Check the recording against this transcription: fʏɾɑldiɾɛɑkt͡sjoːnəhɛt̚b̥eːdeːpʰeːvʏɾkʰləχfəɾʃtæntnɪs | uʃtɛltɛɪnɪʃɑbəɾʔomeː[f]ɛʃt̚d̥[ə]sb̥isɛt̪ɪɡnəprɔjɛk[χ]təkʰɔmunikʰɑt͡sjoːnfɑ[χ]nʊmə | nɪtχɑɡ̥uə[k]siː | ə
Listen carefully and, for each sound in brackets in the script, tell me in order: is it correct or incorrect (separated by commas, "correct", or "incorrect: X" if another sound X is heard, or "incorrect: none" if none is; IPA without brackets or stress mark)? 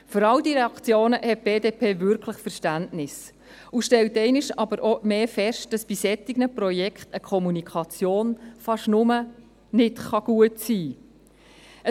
correct, incorrect: ɑ, correct, incorrect: ʃ, incorrect: t